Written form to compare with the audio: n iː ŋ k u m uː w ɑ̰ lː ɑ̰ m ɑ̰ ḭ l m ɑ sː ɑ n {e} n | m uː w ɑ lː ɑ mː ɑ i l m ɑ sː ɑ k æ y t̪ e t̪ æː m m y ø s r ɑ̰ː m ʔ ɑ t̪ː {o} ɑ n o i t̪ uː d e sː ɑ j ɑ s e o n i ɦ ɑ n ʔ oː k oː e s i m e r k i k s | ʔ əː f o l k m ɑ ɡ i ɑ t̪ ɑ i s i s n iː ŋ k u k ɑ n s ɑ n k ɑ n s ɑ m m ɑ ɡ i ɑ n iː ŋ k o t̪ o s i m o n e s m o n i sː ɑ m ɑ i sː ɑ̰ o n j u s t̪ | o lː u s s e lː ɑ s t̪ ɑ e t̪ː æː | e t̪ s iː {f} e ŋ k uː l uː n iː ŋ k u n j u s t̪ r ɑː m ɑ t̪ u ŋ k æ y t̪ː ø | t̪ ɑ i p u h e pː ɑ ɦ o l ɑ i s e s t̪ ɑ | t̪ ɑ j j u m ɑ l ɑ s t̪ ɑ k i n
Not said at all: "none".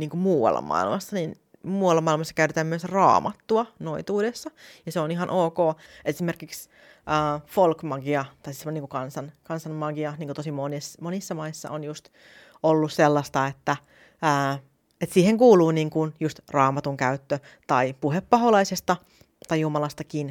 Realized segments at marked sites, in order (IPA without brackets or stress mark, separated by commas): i, u, h